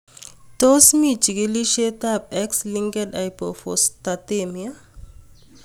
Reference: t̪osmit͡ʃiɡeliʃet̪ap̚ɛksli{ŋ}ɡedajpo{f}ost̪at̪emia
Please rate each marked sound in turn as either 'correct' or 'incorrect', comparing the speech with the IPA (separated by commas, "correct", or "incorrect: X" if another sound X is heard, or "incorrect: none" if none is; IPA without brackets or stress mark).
correct, correct